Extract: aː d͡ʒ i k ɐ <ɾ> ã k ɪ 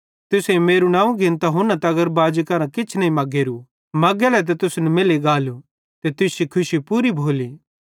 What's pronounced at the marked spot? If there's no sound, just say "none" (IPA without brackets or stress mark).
ɾ